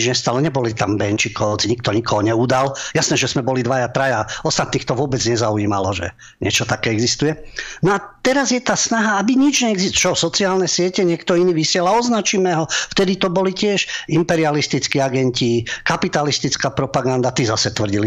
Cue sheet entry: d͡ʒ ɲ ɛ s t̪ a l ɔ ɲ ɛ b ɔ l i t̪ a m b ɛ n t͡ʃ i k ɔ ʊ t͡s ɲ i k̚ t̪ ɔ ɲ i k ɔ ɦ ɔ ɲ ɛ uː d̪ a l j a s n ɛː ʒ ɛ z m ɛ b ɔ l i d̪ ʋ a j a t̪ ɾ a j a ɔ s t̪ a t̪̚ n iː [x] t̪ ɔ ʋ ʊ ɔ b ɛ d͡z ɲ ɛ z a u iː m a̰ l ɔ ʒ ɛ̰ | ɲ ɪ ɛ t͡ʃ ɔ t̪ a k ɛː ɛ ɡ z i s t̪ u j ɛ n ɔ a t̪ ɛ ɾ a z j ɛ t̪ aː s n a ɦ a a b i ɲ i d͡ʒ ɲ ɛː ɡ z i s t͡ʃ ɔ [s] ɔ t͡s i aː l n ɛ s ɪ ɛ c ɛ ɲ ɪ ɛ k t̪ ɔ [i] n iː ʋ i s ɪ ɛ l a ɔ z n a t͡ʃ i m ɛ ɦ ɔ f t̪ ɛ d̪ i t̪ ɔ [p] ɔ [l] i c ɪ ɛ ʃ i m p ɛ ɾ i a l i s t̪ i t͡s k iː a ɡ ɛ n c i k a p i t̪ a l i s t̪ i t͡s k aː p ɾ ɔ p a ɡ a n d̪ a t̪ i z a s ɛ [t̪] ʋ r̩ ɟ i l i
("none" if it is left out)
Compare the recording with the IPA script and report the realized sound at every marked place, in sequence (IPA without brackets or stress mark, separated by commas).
x, s, i, b, l, t̪